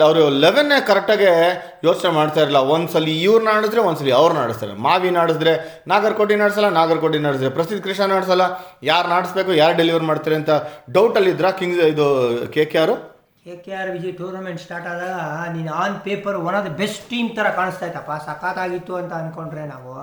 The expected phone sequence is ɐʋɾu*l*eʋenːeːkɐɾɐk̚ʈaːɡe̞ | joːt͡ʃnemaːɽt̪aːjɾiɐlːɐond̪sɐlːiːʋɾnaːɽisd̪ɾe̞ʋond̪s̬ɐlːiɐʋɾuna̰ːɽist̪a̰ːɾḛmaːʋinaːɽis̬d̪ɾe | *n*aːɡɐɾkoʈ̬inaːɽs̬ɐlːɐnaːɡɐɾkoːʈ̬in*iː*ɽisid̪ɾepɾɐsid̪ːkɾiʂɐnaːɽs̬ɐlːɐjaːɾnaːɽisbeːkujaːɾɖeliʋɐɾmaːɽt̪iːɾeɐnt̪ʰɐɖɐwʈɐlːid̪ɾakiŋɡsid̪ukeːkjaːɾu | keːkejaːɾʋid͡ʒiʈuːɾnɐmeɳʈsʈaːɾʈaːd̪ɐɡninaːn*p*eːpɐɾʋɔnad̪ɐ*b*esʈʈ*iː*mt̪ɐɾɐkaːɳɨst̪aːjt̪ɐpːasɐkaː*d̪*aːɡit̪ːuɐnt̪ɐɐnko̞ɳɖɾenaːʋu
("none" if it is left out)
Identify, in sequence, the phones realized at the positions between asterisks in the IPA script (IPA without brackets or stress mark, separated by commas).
l, n, aː, p, b, iː, t̪